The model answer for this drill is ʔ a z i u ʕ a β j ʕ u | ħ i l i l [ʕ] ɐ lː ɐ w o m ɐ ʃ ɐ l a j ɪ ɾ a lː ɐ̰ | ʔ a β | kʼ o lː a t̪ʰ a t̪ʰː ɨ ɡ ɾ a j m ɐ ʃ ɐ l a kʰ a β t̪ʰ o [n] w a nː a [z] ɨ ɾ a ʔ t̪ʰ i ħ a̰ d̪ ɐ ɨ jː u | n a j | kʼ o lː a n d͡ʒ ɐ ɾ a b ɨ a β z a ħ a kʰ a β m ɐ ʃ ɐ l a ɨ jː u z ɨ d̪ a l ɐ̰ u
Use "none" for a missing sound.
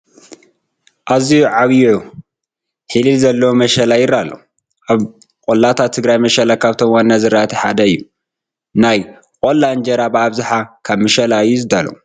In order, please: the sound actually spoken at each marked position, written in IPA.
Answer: z, m, z

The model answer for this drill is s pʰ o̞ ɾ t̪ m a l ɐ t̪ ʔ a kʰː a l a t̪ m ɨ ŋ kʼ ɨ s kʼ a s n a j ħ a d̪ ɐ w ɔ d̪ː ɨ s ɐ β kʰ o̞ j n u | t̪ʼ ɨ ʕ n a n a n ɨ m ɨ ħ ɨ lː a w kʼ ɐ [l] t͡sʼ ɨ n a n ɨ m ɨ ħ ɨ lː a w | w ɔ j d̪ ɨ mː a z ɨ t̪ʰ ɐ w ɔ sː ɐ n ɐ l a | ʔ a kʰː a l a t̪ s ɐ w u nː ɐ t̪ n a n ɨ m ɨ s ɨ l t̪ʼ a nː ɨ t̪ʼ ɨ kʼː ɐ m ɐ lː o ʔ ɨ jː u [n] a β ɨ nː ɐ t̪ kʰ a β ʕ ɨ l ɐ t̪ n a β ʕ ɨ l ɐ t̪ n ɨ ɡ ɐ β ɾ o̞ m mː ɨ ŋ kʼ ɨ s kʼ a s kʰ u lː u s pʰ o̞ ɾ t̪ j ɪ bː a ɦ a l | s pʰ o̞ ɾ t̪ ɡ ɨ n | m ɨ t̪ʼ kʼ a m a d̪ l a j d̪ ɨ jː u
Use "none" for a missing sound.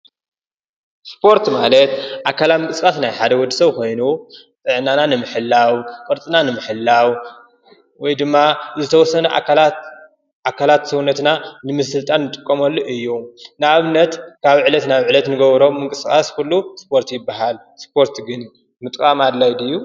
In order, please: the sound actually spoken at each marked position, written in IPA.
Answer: ɾ, n

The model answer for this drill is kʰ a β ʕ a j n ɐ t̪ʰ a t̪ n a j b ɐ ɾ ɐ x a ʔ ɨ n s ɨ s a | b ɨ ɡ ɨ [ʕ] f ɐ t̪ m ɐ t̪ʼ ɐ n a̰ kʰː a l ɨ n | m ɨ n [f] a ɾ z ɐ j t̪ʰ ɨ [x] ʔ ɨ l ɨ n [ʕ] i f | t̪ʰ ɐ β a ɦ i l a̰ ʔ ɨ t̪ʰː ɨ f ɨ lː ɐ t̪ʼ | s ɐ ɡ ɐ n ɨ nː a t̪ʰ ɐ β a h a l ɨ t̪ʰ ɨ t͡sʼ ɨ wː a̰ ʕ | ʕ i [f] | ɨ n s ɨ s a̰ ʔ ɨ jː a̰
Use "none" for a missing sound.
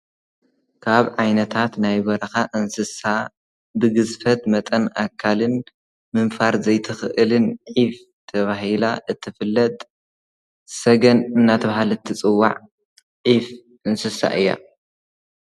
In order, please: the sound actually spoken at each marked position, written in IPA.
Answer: z, f, x, ʕ, f

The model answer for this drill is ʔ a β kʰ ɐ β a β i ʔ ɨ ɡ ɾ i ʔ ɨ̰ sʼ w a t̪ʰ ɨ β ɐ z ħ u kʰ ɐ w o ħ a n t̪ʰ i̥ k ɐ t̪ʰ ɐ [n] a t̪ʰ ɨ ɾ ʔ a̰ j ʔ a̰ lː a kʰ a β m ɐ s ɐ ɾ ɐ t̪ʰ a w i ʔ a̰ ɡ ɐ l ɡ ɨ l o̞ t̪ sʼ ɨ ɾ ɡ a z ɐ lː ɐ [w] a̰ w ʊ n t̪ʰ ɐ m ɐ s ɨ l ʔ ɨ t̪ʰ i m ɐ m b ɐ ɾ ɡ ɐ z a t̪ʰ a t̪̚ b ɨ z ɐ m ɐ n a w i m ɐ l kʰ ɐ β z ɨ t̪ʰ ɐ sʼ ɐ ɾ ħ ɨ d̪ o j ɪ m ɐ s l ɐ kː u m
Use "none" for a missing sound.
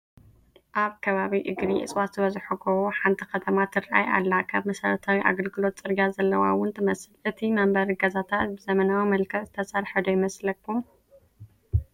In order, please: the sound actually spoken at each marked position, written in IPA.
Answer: m, w

